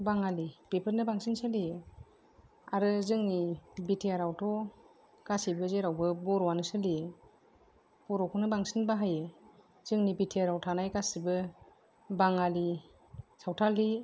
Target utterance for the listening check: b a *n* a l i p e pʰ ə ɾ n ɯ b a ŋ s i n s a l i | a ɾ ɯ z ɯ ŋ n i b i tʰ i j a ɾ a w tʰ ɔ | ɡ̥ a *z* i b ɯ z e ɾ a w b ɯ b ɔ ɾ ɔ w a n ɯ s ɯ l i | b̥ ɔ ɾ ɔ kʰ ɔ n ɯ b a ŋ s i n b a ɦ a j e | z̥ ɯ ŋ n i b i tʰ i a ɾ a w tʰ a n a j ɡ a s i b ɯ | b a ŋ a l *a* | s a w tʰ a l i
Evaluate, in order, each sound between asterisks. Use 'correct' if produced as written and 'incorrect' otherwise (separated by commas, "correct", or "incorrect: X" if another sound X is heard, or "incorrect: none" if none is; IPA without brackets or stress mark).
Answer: incorrect: ŋ, incorrect: s, incorrect: i